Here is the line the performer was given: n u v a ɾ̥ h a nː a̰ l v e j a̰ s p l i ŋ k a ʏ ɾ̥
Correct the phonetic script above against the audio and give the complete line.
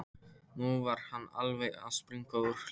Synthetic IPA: n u v a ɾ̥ h a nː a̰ l v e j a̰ s p ɾ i ŋ k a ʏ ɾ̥